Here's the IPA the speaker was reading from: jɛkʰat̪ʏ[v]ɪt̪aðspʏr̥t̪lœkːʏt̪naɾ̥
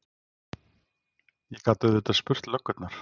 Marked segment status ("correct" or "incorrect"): incorrect